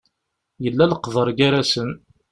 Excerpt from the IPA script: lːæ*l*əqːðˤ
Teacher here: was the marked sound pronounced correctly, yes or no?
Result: yes